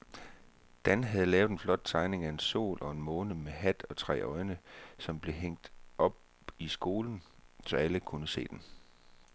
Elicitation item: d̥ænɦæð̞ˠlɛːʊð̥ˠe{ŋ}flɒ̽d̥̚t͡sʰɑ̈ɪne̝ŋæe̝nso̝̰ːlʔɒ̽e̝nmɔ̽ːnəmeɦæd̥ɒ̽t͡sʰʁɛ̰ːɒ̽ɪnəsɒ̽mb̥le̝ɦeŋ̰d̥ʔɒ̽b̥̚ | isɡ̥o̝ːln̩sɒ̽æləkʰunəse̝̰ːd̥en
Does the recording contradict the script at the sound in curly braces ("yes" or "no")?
yes